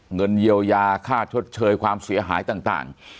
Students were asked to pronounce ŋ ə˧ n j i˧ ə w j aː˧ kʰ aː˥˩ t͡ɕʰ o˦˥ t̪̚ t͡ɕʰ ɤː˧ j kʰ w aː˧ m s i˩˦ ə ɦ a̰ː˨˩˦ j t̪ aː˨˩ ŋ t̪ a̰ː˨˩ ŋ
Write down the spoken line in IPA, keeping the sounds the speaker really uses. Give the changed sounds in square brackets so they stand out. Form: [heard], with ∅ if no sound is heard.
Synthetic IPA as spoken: ŋ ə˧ n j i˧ ə w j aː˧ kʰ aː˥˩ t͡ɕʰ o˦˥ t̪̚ t͡ɕʰ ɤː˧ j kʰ w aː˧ m s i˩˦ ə ɦ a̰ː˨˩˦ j t̪ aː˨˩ ŋ t̪ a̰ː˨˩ ŋ

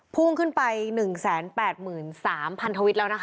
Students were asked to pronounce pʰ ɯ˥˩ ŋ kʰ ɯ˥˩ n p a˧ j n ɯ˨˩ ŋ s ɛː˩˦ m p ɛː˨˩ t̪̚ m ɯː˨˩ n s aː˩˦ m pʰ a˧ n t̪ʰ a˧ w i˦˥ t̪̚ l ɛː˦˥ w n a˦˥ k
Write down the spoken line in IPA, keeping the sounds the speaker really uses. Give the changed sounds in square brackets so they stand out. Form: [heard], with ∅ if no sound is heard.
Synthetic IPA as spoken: pʰ [u˥˩] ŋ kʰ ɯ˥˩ n p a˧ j n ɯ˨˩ ŋ s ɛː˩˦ [n] p ɛː˨˩ t̪̚ m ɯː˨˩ n s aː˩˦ m pʰ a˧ n t̪ʰ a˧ w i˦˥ t̪̚ l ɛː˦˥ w n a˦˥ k

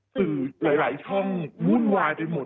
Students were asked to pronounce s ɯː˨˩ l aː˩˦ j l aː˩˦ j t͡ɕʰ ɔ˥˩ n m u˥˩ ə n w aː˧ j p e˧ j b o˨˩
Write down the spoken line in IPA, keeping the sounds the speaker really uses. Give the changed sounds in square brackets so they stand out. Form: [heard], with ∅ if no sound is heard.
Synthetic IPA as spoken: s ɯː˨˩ l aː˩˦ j l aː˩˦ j t͡ɕʰ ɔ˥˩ [ŋ] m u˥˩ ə n w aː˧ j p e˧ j [m] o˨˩

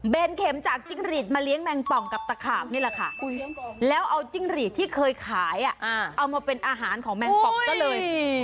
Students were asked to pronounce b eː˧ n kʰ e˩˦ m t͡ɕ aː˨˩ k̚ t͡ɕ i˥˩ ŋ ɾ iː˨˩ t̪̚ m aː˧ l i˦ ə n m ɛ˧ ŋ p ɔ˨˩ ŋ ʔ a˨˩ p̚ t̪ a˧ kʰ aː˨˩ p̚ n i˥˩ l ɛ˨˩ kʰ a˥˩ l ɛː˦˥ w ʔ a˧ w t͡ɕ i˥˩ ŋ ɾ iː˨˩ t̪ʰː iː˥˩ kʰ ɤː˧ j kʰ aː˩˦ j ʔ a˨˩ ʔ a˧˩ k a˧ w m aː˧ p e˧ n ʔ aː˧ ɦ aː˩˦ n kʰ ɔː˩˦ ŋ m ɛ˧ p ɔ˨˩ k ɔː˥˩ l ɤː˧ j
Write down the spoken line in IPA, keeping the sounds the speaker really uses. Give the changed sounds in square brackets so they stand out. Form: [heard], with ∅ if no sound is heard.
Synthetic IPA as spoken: b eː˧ n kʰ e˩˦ m t͡ɕ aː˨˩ k̚ t͡ɕ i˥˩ ŋ ɾ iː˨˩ t̪̚ m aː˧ l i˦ ə [ŋ] m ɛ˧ ŋ p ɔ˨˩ ŋ [k] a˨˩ p̚ t̪ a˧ kʰ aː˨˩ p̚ n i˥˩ l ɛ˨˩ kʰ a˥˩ l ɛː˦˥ w ʔ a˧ w t͡ɕ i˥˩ ŋ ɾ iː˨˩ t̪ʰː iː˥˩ kʰ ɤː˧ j kʰ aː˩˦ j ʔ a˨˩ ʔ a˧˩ [ʔ] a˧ w m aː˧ p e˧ n ʔ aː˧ ɦ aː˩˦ n kʰ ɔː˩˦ ŋ m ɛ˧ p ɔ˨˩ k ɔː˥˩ l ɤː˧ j

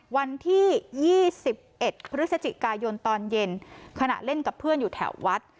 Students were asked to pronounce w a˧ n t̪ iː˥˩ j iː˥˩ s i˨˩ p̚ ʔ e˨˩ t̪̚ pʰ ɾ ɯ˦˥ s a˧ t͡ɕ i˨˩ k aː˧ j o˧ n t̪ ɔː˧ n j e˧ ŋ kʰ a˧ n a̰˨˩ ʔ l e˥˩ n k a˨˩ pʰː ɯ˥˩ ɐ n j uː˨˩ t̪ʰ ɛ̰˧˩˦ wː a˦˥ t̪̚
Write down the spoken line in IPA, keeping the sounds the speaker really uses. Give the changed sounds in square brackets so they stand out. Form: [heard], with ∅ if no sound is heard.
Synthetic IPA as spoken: w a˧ n [t̪ʰ] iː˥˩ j iː˥˩ s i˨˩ p̚ ʔ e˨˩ t̪̚ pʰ ɾ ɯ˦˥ s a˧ t͡ɕ i˨˩ k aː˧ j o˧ n t̪ ɔː˧ n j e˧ [n] kʰ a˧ n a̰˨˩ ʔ l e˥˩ n k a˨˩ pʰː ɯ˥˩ [ə] n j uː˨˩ t̪ʰ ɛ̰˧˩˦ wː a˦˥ t̪̚

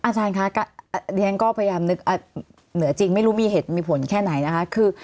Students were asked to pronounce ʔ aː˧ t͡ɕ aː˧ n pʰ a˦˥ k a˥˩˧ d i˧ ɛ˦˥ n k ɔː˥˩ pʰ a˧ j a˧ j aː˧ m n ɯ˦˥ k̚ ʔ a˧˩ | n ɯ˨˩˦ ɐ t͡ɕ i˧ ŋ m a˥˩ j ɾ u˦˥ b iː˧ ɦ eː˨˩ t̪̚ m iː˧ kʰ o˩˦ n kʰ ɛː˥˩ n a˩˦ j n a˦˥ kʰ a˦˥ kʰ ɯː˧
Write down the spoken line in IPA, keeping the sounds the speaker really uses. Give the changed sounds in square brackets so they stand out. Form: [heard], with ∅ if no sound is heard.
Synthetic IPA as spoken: ʔ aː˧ t͡ɕ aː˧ n [kʰ] a˦˥ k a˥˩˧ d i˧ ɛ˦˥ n k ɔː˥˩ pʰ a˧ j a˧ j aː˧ m n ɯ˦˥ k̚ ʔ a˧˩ | n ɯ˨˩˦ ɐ t͡ɕ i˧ ŋ m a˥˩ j ɾ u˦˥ [m] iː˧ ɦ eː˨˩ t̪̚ m iː˧ [pʰ] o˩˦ n kʰ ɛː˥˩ n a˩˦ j n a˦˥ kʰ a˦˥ kʰ ɯː˧

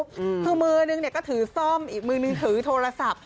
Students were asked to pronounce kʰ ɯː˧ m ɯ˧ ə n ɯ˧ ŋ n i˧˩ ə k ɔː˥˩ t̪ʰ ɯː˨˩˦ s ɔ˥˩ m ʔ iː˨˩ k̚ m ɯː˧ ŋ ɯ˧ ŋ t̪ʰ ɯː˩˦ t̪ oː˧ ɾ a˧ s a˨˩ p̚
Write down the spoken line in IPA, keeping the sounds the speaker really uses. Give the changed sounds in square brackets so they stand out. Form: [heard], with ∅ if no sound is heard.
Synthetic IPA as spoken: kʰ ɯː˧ m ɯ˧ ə n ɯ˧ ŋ n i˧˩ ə k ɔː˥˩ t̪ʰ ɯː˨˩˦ s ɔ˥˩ m ʔ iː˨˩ k̚ m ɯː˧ [n] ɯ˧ ŋ t̪ʰ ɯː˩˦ [t̪ʰ] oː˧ ɾ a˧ s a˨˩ p̚

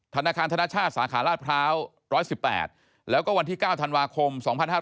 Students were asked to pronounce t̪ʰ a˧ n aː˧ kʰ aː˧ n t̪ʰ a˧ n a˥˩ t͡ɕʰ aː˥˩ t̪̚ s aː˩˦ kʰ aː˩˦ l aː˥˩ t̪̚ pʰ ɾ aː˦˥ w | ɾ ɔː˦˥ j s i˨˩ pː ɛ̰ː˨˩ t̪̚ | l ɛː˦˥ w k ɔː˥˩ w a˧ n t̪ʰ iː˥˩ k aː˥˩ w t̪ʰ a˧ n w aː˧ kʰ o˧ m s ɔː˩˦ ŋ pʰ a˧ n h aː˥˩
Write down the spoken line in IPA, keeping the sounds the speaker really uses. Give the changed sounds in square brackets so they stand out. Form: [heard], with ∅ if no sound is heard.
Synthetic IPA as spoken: t̪ʰ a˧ n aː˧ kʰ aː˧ n t̪ʰ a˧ n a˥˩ t͡ɕʰ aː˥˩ t̪̚ s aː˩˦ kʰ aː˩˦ l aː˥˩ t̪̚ pʰ ɾ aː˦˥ w | ɾ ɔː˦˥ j s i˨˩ pː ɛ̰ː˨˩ t̪̚ | l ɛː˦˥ w k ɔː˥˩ w a˧ n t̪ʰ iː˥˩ k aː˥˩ w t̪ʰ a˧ n w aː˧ kʰ o˧ m s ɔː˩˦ ŋ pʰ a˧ n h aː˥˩

